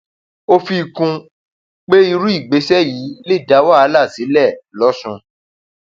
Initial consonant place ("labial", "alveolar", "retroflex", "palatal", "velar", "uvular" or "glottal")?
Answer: labial